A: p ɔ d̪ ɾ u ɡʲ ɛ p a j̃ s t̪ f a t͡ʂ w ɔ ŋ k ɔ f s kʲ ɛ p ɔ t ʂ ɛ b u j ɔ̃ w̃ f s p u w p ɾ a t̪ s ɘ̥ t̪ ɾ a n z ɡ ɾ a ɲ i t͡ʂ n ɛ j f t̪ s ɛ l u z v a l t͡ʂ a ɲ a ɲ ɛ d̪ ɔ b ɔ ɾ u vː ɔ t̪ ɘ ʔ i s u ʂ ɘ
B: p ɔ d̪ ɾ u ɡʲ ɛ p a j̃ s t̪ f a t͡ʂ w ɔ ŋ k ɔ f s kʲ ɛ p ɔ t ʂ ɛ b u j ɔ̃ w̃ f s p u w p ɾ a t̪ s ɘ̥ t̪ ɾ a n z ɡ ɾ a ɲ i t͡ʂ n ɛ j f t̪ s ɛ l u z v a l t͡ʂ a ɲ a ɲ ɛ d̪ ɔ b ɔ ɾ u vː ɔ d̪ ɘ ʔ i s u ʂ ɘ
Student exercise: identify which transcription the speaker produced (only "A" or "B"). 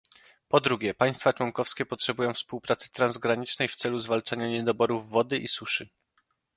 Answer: B